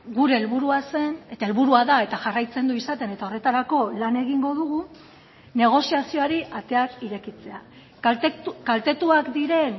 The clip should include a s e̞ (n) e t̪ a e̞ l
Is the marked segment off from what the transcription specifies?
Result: no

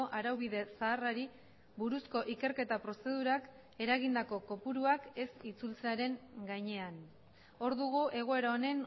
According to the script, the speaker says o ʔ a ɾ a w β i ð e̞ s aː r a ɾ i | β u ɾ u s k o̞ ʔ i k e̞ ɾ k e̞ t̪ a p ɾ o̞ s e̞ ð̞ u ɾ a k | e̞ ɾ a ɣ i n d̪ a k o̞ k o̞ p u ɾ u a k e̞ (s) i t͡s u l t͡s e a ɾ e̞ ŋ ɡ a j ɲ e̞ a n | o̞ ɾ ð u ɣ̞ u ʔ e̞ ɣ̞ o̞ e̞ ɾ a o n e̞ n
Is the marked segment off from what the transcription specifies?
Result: no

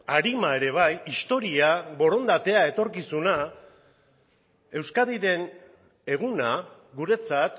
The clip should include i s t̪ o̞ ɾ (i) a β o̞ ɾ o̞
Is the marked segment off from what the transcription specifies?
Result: no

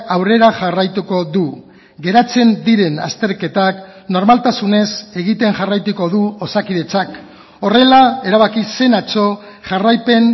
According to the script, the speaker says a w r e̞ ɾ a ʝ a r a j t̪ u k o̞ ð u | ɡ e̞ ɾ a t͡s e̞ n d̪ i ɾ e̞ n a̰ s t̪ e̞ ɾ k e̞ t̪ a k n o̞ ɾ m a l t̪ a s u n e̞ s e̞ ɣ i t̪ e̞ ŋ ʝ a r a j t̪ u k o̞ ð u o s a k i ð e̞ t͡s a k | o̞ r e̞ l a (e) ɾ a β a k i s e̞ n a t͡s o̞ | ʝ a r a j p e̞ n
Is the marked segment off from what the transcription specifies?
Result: no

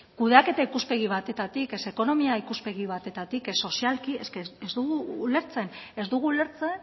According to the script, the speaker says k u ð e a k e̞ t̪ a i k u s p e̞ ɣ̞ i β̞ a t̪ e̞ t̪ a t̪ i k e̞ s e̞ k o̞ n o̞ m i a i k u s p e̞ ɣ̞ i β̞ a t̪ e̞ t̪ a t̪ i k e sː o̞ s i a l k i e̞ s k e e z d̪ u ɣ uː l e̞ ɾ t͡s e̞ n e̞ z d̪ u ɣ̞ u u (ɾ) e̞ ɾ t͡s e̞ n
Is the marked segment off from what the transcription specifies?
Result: yes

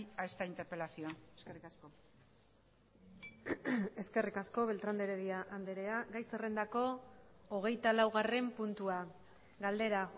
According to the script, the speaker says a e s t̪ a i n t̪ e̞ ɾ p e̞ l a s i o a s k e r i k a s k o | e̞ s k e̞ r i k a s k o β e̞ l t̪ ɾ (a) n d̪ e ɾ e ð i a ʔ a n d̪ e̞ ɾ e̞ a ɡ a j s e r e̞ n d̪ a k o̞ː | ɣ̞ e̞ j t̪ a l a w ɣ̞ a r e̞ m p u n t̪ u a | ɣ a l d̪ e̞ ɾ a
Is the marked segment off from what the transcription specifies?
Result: no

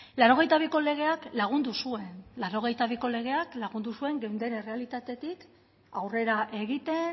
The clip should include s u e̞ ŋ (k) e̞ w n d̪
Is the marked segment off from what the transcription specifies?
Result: yes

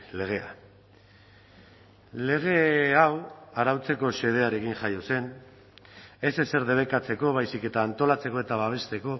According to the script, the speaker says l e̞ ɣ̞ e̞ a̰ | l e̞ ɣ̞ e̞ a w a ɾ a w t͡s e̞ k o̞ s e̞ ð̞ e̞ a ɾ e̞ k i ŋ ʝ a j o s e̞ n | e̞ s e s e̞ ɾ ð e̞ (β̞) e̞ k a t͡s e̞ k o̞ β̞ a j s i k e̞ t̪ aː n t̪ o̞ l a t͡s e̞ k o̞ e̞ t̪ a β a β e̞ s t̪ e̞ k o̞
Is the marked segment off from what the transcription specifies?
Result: no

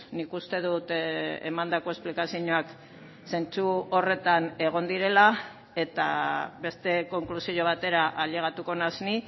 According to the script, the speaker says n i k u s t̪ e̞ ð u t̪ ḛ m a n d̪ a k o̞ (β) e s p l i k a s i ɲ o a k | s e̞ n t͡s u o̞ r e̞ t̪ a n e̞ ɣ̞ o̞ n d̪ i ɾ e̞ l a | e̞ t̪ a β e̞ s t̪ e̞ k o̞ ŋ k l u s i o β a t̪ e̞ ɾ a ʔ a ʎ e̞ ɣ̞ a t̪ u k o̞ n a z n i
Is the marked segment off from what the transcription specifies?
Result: yes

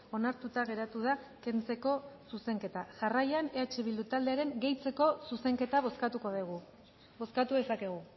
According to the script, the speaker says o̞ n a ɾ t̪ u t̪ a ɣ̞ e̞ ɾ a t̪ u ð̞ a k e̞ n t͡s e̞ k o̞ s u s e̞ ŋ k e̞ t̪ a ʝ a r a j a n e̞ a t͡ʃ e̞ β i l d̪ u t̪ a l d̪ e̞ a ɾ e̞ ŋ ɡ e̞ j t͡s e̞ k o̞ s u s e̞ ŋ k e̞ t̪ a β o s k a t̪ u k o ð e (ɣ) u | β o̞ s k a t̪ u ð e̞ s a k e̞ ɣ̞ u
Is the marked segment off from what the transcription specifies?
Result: no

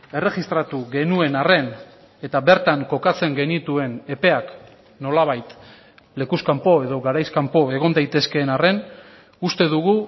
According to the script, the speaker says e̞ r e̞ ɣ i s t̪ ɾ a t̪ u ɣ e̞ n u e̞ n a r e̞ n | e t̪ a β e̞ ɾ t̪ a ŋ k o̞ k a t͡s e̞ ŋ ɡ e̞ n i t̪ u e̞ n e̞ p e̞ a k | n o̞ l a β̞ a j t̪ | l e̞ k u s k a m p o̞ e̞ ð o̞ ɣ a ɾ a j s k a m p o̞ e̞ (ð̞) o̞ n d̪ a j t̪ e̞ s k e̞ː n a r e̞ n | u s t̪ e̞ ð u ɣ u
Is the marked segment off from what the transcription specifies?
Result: yes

